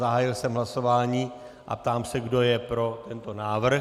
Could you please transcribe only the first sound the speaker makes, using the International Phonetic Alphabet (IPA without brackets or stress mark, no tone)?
a